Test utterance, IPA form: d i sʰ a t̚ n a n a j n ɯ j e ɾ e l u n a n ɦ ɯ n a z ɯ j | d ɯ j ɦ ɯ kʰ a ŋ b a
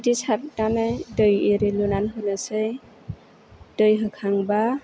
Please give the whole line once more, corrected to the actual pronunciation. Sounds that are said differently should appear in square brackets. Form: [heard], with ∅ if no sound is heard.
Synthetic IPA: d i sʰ a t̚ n a n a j [d] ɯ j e ɾ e l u n a n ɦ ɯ n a [s] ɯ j | d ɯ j ɦ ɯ kʰ a ŋ b a